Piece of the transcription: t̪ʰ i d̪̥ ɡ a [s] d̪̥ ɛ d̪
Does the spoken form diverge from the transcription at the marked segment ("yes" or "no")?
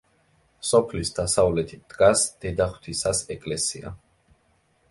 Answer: no